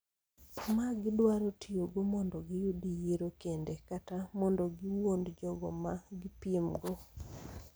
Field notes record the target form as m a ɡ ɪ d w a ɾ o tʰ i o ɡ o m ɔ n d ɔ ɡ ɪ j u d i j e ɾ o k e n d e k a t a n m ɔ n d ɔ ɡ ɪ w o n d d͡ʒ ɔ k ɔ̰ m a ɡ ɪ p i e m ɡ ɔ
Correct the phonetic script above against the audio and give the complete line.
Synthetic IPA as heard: m a ɡ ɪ d w a ɾ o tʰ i o ɡ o m ɔ n d ɔ ɡ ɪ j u d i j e ɾ o k e n d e k a t a m ɔ n d ɔ ɡ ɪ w o n d d͡ʒ ɔ ɡ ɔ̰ m a ɡ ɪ p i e m ɡ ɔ